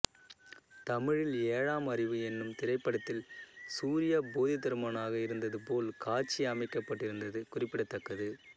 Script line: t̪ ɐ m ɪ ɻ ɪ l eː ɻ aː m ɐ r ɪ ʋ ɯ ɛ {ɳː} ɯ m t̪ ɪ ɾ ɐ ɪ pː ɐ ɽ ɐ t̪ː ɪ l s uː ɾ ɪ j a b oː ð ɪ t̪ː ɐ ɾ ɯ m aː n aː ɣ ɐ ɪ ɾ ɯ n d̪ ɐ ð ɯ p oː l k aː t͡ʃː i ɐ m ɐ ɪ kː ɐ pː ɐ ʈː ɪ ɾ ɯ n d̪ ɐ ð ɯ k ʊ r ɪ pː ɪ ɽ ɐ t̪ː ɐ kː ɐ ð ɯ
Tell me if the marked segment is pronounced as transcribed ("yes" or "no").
no